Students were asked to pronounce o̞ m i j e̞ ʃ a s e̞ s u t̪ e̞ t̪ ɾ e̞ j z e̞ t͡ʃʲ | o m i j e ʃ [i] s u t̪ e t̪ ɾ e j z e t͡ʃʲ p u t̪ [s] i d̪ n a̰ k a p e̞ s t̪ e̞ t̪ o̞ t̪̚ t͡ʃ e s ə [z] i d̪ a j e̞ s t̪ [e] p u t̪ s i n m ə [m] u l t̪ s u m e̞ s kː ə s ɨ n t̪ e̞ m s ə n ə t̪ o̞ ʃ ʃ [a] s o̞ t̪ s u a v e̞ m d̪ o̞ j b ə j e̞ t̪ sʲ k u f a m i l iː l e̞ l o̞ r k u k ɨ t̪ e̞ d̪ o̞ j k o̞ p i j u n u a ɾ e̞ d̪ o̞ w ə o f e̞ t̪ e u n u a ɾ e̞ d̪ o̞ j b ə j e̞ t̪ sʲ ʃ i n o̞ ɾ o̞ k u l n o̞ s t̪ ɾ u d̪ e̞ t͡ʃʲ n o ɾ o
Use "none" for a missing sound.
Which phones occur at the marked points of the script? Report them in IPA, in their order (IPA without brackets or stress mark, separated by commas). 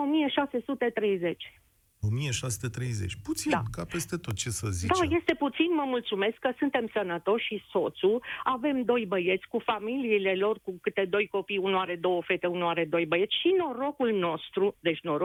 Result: a, s, z, e, m, i